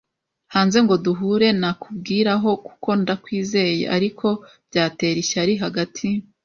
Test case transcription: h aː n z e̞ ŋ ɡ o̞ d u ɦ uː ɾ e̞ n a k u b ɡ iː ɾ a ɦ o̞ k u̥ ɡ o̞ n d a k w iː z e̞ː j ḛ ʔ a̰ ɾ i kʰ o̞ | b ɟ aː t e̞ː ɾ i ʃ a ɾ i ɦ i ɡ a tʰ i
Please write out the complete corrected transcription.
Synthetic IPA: h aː n z e̞ ŋ ɡ o̞ d u ɦ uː ɾ e̞ n a k u b ɡ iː ɾ a ɦ o̞ k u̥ k o̞ n d a k w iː z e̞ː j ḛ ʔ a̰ ɾ i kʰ o̞ | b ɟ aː t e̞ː ɾ i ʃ a ɾ i ɦ a ɡ a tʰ i